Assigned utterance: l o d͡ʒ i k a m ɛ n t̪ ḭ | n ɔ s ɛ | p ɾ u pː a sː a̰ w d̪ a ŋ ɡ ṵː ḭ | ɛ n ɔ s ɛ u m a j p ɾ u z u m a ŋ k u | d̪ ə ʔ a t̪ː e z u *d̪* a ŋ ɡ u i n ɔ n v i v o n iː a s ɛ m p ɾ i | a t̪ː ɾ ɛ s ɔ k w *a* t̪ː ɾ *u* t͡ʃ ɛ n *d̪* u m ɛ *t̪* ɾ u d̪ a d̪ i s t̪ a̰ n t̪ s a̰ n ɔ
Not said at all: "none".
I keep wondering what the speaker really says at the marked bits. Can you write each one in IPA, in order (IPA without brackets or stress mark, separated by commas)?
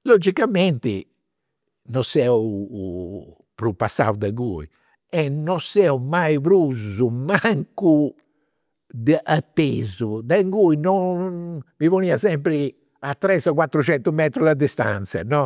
d̪, a, u, t̪, t̪